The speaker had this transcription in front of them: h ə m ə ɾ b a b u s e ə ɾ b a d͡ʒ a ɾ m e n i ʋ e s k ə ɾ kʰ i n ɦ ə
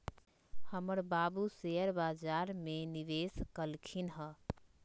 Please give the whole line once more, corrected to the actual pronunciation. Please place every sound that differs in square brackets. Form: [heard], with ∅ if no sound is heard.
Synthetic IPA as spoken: h ə m ə ɾ b a b u s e ə ɾ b a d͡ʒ a ɾ m e n i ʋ e s k ə [l] kʰ i n ɦ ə